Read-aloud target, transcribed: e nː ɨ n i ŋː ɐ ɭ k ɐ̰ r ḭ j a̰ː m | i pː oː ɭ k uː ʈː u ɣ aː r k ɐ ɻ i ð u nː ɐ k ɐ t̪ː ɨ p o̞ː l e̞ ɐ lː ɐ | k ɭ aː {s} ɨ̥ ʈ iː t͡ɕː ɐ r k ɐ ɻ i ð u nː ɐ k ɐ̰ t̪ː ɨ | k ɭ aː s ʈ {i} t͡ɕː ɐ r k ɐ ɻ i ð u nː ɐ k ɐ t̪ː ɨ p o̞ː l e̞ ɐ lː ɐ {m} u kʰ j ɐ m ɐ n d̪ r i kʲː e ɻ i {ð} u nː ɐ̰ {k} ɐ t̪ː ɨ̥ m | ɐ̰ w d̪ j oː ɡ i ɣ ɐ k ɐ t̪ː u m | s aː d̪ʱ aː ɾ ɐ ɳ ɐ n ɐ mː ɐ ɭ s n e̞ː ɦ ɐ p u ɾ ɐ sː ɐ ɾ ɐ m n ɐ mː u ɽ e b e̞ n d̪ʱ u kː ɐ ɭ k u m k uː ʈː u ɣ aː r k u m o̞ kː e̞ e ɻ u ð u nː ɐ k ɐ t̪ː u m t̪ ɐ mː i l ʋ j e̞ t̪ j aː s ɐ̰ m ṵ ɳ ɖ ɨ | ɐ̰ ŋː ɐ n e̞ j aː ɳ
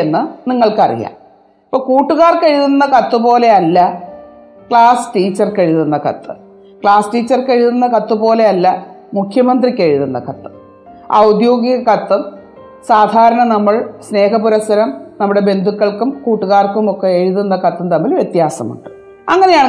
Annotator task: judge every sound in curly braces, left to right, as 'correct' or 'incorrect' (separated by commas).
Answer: correct, incorrect, correct, correct, correct